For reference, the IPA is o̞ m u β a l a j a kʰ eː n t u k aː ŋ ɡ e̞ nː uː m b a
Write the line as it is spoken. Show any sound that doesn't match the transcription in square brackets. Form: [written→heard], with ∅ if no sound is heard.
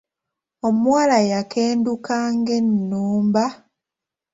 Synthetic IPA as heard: o̞ m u [β→w] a l a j a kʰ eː n [t→d] u k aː ŋ ɡ e̞ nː uː m b a